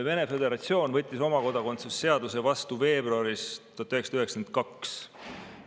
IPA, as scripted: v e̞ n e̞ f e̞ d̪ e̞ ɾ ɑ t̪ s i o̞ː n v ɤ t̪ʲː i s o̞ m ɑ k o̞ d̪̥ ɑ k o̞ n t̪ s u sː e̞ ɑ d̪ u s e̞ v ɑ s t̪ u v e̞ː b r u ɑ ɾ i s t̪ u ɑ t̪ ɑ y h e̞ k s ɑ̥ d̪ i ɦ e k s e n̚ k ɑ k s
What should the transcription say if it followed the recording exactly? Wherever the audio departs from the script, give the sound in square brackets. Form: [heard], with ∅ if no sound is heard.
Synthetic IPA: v e̞ n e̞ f e̞ d̪ e̞ ɾ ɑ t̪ s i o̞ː n v ɤ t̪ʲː i s o̞ m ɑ k o̞ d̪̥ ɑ k o̞ n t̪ s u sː e̞ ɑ d̪ u s e̞ v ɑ s t̪ u v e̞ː b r u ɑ ɾ i s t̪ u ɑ t̪ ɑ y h e̞ k s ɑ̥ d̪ [y] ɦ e k s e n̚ k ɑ k s